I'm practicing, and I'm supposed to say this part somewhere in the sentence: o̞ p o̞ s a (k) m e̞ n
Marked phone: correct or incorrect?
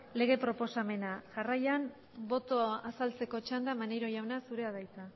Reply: incorrect: none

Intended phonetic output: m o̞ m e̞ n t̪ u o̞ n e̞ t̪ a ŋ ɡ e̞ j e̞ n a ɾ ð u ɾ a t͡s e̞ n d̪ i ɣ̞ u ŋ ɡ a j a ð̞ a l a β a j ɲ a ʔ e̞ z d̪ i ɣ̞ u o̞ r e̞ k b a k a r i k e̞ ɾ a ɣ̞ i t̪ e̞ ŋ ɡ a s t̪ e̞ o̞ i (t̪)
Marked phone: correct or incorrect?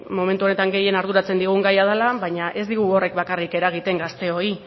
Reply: incorrect: none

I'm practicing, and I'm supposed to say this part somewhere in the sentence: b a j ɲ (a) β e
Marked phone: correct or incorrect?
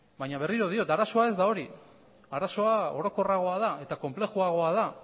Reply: correct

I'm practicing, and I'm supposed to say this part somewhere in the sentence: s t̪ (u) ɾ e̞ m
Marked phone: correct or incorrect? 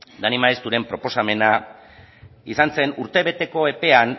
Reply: correct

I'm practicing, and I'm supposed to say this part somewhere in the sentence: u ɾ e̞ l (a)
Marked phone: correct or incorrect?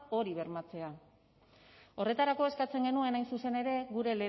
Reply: incorrect: e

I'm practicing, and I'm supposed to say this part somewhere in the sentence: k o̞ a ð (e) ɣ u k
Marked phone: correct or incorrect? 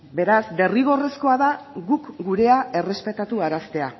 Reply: incorrect: a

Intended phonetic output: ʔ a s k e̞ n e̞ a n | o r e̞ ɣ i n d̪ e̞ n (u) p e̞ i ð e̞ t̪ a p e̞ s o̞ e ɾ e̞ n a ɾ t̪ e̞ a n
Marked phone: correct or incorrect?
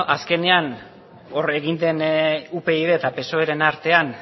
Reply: correct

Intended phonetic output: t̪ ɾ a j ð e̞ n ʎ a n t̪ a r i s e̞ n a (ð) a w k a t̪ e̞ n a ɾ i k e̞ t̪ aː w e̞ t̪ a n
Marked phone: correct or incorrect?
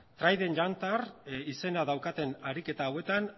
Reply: correct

